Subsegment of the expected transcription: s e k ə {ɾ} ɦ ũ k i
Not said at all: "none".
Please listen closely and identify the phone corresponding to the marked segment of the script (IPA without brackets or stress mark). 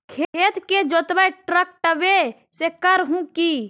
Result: ɾ